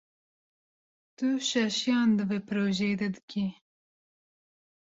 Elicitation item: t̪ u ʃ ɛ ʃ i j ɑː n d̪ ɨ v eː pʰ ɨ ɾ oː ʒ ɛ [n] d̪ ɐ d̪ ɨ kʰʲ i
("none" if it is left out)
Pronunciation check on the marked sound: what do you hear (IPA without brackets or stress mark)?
none